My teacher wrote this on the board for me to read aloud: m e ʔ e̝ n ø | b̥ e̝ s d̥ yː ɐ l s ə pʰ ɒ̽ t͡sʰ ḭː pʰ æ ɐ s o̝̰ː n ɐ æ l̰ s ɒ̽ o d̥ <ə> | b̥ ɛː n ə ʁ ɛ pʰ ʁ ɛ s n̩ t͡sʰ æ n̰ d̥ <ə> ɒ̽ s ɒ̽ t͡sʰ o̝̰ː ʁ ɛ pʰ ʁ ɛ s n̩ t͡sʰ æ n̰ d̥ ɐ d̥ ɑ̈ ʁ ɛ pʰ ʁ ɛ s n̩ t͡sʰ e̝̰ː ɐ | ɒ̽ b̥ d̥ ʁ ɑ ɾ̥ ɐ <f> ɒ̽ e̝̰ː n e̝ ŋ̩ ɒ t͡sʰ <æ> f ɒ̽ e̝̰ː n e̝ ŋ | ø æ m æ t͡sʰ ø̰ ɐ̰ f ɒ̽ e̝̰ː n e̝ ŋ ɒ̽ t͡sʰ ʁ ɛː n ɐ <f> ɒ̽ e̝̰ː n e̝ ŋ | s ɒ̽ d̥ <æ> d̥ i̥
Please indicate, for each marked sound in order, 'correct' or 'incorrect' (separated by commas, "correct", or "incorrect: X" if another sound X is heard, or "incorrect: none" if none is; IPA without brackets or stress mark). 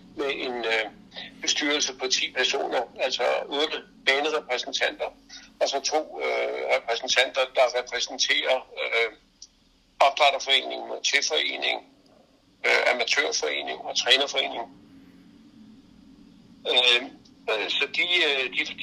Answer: correct, incorrect: ɐ, correct, incorrect: e, correct, incorrect: i